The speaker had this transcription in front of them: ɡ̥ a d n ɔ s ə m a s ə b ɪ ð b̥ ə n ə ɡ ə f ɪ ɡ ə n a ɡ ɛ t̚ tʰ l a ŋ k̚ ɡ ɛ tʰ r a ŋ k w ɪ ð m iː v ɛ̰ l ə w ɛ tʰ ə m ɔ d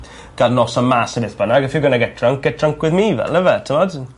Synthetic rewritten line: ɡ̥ a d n ɔ s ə m a s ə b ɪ θ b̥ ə n a ɡ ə f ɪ ɡ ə n a ɡ ɛ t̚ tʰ r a ŋ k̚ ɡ ɛ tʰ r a ŋ k w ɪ ð m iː v ɛ̰ l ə v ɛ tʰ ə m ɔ d